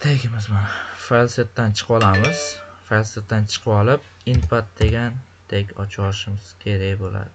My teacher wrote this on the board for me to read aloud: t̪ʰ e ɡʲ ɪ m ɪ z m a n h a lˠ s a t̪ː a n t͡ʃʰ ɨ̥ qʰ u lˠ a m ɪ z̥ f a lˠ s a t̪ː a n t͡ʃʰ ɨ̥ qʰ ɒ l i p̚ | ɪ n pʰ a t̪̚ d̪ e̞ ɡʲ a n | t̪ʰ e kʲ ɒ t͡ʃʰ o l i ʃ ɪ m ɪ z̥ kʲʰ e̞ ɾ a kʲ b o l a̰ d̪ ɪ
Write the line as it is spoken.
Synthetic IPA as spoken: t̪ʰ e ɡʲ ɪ m ɪ z m a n f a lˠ s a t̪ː a n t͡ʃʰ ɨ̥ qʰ ɒ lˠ a m ɪ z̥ f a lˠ s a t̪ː a n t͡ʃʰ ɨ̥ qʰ ɒ l ɪ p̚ | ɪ n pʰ a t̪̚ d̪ e̞ ɡʲ a n | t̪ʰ e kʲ ɒ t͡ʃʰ ɒ l ɪ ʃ ɪ m ɪ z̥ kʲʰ e̞ ɾ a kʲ b o l a̰ d̪ ɪ